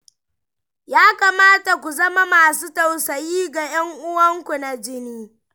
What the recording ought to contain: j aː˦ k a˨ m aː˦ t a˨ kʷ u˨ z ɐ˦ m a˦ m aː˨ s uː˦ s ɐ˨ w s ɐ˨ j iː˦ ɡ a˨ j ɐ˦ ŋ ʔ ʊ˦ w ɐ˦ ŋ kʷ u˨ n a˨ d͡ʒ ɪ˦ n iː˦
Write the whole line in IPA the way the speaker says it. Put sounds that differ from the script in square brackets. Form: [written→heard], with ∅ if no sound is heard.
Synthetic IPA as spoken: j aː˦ k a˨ m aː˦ t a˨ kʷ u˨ z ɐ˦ m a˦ m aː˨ s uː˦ [s→t] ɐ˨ w s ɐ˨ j iː˦ ɡ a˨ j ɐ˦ ŋ ʔ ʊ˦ w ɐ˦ ŋ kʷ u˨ n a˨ d͡ʒ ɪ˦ n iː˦